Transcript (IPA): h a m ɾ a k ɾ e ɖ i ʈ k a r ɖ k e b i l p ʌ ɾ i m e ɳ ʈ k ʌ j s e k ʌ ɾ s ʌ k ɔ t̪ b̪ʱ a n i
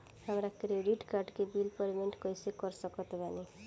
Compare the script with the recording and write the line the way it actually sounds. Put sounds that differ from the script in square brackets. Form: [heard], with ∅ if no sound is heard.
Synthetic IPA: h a m ɾ a k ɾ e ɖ i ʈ k a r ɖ k e b i l p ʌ ɾ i m e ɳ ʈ k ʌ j s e k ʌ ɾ s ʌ k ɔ t̪ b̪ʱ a n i